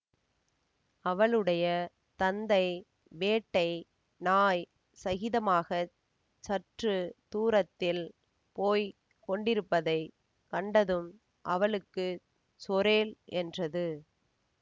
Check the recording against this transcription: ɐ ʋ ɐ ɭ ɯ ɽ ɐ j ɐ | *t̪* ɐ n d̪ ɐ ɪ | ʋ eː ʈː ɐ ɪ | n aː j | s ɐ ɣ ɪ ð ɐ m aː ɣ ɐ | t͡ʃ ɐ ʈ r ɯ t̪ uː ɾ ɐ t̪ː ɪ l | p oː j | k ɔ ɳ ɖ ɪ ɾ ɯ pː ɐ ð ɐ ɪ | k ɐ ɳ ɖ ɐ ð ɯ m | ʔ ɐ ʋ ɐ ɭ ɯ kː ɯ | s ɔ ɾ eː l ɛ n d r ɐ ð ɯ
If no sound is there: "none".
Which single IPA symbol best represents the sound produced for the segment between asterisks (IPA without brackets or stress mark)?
t̪